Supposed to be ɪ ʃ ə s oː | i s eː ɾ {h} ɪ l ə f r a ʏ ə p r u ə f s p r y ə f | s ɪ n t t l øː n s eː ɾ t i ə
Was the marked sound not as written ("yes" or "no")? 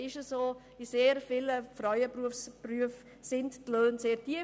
yes